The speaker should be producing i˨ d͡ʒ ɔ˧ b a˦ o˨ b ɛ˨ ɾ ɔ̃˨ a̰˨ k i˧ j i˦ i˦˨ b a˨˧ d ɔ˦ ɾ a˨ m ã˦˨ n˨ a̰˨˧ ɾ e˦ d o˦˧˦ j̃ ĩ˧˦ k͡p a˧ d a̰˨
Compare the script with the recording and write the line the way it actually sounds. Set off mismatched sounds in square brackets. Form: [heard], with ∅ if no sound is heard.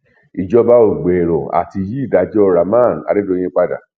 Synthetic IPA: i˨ d͡ʒ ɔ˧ b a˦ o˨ [ɡ͡b] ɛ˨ ɾ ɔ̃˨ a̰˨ [t] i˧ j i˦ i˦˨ [d] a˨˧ [d͡ʒ] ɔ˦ ɾ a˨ m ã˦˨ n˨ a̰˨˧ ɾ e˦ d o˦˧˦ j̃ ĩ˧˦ k͡p a˧ d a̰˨